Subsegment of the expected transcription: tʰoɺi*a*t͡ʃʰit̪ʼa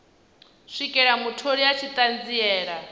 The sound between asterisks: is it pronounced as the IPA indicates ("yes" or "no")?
yes